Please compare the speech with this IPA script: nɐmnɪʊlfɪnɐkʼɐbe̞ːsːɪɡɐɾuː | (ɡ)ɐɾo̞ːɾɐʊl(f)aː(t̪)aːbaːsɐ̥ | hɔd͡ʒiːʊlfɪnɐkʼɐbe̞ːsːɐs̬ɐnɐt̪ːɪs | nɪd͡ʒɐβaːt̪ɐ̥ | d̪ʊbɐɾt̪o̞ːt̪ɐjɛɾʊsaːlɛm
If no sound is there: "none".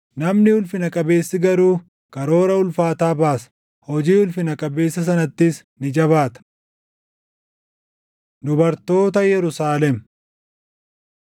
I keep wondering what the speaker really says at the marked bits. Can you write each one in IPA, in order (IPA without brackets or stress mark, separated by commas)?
k, f, t̪